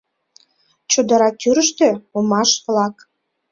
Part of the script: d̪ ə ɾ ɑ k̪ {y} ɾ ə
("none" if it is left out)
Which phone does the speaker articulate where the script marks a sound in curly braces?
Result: y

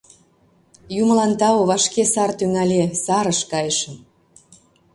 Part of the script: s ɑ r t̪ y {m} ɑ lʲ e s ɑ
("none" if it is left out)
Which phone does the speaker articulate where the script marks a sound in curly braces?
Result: ŋ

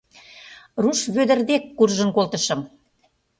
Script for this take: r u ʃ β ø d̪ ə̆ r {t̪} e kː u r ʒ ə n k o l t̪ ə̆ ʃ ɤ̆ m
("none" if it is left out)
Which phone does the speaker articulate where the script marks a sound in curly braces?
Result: d̪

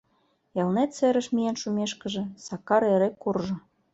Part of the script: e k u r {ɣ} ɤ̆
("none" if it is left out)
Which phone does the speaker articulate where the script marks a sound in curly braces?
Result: ʒ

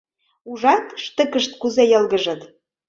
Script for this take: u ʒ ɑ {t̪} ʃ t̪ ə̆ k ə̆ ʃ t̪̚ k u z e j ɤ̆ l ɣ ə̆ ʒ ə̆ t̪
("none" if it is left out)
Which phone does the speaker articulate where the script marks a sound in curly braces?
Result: t̪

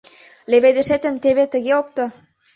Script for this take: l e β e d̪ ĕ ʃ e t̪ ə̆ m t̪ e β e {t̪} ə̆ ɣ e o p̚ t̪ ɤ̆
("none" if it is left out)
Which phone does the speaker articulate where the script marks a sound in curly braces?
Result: t̪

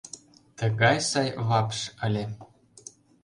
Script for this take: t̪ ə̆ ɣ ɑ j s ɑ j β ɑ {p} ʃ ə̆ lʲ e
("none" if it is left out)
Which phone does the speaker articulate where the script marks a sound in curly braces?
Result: p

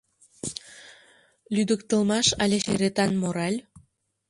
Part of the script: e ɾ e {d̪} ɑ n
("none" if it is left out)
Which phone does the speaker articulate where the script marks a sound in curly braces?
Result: t̪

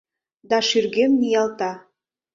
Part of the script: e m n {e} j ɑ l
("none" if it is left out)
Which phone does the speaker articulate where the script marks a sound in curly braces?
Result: i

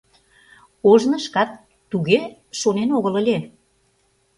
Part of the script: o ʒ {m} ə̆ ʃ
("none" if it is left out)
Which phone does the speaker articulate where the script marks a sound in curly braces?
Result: n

